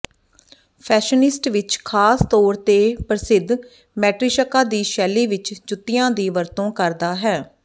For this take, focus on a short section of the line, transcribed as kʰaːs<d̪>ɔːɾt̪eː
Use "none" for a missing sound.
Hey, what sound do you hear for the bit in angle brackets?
t̪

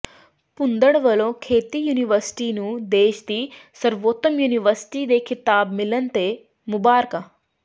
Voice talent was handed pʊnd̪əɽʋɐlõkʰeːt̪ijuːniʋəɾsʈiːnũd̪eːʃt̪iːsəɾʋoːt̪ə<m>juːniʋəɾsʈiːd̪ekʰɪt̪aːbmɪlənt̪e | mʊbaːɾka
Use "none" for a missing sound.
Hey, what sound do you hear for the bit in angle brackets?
m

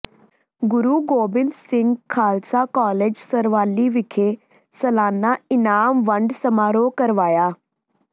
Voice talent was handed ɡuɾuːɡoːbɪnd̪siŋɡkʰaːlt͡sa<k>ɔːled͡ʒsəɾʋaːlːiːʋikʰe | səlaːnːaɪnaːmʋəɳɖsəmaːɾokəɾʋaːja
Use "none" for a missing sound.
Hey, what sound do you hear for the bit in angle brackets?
k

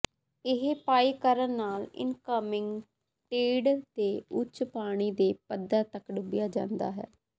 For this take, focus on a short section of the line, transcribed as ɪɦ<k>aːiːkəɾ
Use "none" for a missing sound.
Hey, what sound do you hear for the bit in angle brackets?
p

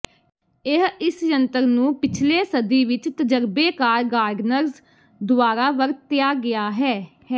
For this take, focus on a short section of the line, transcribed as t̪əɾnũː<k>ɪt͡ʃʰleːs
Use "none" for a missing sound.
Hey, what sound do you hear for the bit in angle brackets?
p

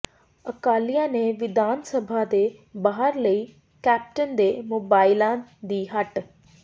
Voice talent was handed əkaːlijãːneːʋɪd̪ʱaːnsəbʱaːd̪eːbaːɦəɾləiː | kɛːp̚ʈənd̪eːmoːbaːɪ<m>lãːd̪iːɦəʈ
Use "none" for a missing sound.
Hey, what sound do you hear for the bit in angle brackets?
none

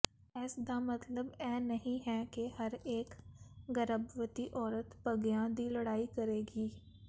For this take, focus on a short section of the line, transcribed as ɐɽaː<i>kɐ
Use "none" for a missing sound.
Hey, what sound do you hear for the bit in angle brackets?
i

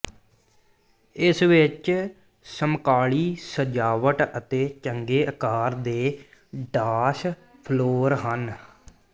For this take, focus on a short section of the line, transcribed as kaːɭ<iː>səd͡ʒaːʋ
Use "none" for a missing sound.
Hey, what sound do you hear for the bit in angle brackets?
iː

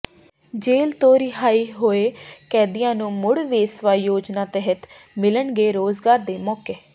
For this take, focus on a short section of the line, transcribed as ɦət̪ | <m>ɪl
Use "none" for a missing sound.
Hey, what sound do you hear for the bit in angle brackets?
m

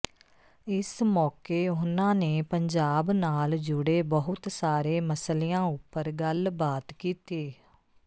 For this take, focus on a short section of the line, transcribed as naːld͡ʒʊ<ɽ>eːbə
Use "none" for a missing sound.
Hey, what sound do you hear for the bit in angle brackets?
ɽ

